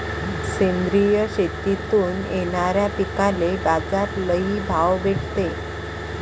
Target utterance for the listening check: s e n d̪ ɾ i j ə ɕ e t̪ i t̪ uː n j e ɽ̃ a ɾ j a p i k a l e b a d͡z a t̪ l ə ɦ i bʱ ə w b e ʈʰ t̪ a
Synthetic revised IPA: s e n d̪ ɾ i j ə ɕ e t̪ i t̪ uː n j e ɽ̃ a ɾ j a p i k a l e b a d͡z a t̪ l ə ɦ i bʱ a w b e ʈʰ t̪ e